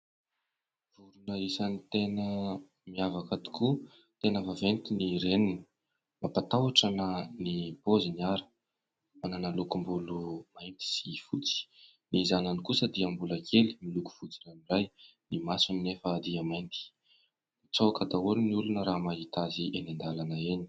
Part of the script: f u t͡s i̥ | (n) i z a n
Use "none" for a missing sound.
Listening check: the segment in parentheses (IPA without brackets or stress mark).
n